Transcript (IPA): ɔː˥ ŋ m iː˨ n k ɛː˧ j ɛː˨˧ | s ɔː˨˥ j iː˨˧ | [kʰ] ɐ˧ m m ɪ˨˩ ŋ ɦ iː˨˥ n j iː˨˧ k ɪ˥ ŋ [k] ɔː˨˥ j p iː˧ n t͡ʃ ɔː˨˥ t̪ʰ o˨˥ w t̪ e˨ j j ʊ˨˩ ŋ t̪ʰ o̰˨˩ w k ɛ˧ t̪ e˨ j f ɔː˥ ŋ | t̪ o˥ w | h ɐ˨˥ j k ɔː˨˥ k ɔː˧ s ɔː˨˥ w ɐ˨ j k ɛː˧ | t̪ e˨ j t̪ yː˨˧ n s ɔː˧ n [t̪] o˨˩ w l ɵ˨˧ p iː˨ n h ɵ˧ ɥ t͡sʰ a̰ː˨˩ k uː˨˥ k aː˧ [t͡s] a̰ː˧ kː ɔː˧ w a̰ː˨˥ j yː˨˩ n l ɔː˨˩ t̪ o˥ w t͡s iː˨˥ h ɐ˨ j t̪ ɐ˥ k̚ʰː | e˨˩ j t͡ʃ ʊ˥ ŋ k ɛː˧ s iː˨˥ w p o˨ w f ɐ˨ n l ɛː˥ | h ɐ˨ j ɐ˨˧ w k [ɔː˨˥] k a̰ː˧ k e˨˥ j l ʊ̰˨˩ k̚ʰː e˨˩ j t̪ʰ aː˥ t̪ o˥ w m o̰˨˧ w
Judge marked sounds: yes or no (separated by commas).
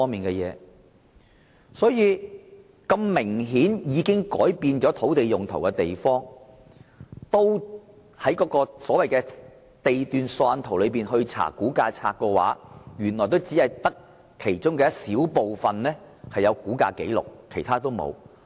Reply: no, yes, no, no, no